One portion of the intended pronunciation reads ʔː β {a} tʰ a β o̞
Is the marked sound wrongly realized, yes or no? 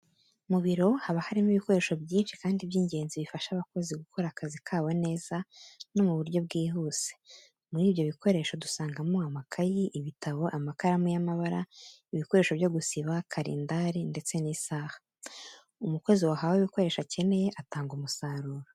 yes